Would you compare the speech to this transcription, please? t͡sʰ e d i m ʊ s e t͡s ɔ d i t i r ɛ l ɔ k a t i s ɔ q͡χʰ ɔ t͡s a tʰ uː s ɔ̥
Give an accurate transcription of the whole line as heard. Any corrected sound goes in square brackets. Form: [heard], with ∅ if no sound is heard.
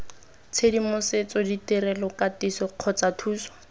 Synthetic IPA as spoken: t͡sʰ e d i m ʊ s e t͡s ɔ d i t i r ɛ l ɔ k a t i s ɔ q͡χʰ ɔ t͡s a tʰ uː s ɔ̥